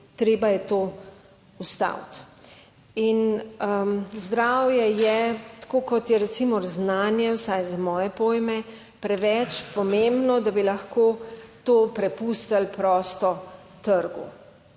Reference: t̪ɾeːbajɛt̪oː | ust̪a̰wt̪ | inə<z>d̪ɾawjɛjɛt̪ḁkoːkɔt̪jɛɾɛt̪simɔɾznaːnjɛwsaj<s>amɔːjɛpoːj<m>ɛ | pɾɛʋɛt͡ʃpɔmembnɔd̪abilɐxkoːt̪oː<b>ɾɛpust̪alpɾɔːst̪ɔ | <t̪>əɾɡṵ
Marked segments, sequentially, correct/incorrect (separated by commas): correct, incorrect, correct, incorrect, correct